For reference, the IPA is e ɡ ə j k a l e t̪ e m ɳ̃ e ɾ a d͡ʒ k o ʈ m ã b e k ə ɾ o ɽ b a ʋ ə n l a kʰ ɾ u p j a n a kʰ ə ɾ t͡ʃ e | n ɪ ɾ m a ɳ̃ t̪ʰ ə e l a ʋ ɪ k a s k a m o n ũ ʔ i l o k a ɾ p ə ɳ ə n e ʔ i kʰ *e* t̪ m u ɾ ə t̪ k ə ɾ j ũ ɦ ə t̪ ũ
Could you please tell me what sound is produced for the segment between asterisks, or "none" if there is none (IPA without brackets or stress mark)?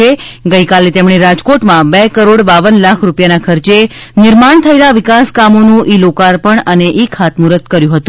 a